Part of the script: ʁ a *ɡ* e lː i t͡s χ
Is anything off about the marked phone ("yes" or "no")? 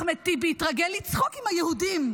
no